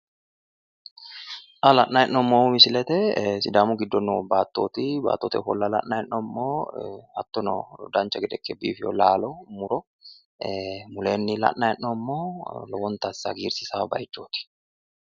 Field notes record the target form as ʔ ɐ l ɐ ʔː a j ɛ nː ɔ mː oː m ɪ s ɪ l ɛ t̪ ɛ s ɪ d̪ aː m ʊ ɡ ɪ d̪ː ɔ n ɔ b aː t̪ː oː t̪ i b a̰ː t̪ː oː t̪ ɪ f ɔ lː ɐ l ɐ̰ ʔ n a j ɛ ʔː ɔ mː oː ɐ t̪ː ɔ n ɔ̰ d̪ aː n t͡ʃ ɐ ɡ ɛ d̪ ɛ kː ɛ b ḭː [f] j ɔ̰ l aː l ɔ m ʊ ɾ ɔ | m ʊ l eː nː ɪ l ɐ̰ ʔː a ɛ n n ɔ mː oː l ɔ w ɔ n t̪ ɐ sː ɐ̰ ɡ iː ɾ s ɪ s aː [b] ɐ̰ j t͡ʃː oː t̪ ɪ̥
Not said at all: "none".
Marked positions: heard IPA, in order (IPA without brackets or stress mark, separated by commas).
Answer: f, b